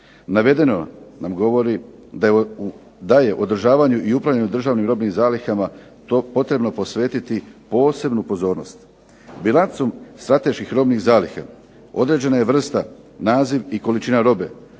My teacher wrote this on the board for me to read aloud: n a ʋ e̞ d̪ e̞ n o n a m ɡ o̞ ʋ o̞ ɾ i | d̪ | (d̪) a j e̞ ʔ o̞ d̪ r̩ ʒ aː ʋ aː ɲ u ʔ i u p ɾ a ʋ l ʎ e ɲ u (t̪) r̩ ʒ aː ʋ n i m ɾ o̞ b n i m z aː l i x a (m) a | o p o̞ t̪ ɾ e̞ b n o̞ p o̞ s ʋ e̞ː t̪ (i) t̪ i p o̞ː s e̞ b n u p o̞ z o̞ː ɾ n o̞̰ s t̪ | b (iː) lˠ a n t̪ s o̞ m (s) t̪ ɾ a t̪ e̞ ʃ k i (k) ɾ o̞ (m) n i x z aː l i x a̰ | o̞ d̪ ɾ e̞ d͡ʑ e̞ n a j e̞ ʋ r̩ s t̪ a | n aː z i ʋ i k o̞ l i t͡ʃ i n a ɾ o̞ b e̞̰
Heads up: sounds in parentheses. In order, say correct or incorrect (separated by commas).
correct, incorrect, correct, correct, incorrect, correct, incorrect, incorrect